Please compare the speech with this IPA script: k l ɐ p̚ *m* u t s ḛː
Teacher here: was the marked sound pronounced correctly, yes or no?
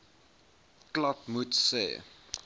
yes